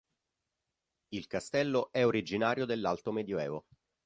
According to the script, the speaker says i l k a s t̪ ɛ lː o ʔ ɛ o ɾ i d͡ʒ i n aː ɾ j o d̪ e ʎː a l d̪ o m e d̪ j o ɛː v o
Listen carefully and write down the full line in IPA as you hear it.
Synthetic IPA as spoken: i l k a s t̪ ɛ lː o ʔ ɛ o ɾ i d͡ʒ i n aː ɾ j o d̪ e lː a l t̪ o m e d̪ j o ɛː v o